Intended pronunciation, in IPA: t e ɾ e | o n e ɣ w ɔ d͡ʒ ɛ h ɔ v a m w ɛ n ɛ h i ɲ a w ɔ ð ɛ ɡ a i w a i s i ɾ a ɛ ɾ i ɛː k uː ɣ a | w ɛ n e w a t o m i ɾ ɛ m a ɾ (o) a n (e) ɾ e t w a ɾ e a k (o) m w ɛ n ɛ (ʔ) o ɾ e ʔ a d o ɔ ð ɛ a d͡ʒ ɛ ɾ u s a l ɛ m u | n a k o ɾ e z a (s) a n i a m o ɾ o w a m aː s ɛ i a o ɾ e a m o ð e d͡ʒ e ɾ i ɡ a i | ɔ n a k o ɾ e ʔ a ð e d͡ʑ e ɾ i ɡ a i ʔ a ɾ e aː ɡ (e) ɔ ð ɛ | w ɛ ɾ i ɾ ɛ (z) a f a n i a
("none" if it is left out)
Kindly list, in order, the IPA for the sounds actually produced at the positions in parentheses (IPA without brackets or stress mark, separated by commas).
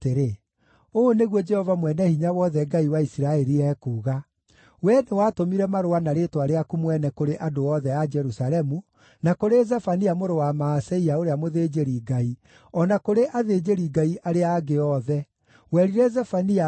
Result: o, a, u, k, f, e, z